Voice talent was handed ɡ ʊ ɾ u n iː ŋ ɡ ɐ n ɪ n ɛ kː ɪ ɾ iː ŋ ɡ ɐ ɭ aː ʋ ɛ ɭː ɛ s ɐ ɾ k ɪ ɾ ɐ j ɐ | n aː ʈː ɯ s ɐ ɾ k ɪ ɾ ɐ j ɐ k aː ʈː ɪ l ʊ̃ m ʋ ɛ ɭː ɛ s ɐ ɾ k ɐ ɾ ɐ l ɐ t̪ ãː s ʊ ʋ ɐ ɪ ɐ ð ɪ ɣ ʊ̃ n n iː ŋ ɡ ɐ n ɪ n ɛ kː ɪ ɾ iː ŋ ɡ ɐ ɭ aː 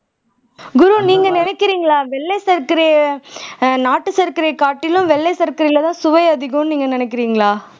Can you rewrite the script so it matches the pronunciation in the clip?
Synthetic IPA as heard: ɡ ʊ ɾ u n iː ŋ ɡ ɐ n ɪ n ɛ kː ɪ ɾ iː ŋ ɡ ɐ ɭ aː ʋ ɛ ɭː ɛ s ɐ ɾ k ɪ ɾ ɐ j ɐ | n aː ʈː ɯ s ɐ ɾ k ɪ ɾ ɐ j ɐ k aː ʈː ɪ l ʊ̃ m ʋ ɛ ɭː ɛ s ɐ ɾ k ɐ ɾ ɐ l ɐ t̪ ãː s ʊ ʋ ɐ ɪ ɐ ð ɪ ɣ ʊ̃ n n iː ŋ ɡ ɐ n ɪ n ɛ kː ɪ ɾ iː ŋ ɡ ɐ ɭ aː